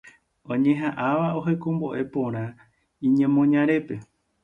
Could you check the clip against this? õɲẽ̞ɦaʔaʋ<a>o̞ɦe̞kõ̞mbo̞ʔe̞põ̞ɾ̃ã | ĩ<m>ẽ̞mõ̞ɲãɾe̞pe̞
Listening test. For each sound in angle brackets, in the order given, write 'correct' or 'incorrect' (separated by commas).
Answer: correct, incorrect